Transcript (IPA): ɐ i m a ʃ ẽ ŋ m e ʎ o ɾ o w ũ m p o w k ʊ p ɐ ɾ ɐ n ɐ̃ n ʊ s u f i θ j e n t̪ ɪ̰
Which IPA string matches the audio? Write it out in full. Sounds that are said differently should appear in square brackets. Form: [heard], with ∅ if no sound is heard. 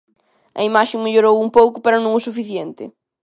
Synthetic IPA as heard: ɐ i m a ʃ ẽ ŋ m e ʎ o ɾ o w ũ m p o w k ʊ p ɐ ɾ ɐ n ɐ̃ [ŋ] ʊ s u f i θ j e n t̪ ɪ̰